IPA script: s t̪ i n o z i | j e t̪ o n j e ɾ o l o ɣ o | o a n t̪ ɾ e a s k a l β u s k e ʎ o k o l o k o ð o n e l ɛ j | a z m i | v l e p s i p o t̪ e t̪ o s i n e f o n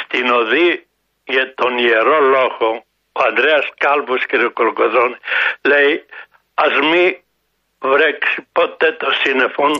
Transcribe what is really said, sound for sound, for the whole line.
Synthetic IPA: s t̪ i n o ð i | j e t̪ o n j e ɾ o l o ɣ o | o a n d̪ ɾ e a s k a l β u s k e ɾ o k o l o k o ð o n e l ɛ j | a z m i | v ɾ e k s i p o t̪ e t̪ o s i n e f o n